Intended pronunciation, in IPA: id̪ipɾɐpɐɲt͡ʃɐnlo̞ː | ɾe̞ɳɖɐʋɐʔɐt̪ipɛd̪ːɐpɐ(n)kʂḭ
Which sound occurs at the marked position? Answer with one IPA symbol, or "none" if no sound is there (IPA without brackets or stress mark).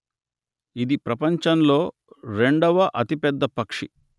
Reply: none